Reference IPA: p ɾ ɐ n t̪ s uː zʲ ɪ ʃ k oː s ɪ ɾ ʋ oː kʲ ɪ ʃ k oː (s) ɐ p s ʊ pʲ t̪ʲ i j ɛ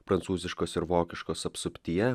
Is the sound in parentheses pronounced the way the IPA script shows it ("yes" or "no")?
yes